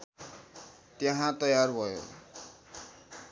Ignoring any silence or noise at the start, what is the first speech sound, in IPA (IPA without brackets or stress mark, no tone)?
t̪